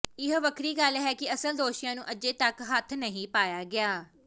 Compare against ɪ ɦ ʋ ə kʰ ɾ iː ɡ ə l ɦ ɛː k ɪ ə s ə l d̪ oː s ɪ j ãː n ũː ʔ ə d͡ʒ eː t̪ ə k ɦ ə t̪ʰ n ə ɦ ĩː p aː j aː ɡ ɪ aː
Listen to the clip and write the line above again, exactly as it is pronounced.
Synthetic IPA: ɪ ɦ ʋ ə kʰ ɾ iː ɡ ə l ɦ ɛː k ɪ ə s ə l d̪ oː ʃ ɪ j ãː n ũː ʔ ə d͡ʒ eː t̪ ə k ɦ ə t̪ʰ n ə ɦ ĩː p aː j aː ɡ ɪ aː